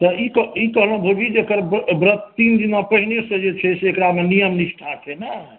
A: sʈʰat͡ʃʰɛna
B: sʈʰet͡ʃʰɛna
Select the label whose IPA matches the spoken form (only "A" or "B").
A